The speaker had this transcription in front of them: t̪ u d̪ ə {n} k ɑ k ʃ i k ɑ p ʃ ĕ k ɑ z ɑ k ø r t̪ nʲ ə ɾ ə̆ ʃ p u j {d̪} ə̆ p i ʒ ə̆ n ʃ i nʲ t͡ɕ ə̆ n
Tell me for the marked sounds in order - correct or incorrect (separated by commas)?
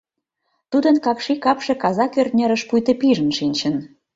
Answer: correct, incorrect